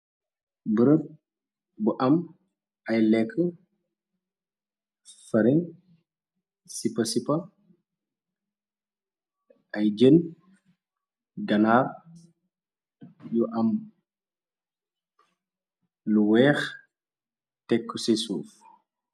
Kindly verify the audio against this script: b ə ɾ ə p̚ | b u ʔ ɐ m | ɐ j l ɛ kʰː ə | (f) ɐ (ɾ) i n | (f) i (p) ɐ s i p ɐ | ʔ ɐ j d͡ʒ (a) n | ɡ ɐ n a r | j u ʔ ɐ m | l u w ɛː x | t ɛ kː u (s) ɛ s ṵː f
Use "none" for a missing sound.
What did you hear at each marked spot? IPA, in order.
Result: f, ɾ, s, p, ə, s

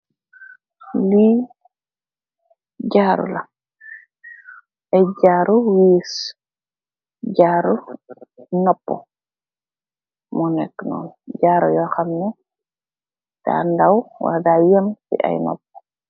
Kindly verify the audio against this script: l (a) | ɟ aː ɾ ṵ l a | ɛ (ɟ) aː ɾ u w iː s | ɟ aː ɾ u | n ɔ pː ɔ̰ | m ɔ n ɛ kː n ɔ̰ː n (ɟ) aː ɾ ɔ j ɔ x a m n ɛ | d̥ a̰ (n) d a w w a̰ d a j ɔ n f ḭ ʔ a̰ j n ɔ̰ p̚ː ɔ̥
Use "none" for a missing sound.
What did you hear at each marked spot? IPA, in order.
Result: i, ɟ, ɟ, n

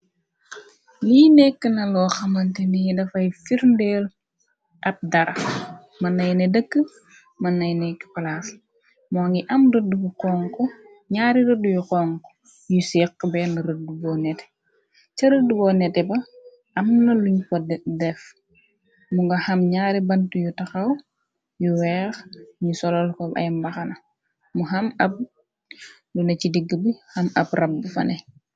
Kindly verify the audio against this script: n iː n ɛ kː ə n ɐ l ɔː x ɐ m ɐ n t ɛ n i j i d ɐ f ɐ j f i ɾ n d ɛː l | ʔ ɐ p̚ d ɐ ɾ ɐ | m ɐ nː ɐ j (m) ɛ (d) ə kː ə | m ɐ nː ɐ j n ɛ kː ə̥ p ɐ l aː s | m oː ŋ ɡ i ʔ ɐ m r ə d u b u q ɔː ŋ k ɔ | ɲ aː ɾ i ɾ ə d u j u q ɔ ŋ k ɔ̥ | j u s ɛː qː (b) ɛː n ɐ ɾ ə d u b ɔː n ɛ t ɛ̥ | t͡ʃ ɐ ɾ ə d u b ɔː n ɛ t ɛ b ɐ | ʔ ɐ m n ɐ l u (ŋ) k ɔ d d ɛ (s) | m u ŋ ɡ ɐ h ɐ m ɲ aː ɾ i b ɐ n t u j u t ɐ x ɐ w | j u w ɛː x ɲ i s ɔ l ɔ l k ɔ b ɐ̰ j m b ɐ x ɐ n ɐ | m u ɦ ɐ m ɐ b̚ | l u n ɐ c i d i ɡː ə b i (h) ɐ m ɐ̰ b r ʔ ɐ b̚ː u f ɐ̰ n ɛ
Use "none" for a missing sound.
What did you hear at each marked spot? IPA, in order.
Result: n, d, b, ɲ, f, h

